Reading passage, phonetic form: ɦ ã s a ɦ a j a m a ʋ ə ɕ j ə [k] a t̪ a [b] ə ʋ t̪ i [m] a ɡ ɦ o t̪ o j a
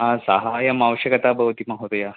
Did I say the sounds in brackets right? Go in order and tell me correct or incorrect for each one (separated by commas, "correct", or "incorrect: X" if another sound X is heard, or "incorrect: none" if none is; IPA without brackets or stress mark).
correct, correct, correct